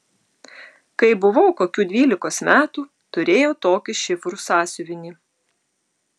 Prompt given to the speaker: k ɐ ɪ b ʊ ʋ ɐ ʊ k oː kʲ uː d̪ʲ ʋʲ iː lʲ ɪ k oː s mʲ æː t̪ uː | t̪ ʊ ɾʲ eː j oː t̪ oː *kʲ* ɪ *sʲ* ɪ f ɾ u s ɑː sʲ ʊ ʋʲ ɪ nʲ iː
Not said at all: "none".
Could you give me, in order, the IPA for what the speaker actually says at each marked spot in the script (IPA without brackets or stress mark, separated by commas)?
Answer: kʲ, ʃʲ